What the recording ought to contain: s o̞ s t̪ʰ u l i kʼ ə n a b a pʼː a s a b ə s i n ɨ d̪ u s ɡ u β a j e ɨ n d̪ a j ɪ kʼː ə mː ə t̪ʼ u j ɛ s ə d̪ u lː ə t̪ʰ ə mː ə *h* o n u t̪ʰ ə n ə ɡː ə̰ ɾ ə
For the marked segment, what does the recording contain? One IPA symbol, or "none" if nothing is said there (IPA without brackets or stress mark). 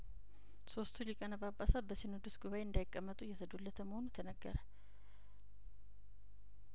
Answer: h